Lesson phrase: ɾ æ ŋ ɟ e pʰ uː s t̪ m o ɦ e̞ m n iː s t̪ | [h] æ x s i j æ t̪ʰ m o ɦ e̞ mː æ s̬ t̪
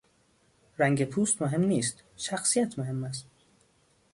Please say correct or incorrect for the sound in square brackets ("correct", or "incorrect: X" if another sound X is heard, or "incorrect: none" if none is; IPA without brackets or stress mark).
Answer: incorrect: ʃ